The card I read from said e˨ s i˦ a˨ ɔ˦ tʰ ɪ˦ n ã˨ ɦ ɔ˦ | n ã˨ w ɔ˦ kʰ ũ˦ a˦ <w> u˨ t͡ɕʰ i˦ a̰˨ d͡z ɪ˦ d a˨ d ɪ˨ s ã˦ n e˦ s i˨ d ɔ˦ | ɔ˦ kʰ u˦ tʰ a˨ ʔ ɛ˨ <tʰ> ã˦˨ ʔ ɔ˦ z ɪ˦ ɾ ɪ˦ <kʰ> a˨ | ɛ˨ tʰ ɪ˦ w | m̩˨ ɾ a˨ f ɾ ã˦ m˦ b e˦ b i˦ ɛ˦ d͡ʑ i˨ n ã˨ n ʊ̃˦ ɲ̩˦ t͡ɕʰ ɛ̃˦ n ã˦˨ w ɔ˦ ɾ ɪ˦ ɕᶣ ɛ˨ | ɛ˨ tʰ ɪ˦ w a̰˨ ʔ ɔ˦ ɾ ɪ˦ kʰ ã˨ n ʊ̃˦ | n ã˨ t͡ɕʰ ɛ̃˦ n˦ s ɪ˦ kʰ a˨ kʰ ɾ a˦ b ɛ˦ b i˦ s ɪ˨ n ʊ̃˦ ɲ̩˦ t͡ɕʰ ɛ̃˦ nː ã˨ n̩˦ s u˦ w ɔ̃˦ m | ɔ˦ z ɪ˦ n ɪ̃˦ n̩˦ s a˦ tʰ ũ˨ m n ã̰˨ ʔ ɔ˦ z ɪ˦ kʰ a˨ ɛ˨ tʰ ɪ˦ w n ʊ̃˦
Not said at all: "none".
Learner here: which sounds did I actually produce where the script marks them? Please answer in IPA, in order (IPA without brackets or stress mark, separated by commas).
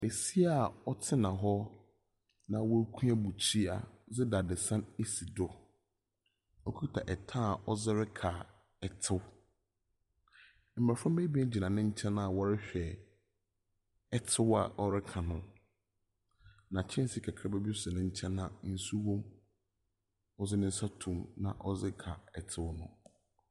b, tʰ, kʰ